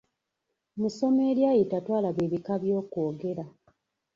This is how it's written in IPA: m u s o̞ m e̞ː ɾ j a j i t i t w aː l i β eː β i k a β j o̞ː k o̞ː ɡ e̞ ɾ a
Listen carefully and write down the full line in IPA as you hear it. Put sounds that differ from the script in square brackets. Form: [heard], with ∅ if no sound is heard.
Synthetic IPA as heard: m u s o̞ m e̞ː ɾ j a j i t [a] t w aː l [a] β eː β i k a β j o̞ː k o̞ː ɡ e̞ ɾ a